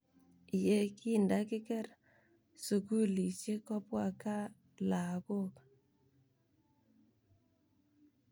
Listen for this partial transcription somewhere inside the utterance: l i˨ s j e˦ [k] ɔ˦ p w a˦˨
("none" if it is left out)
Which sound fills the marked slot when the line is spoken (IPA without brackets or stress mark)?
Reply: k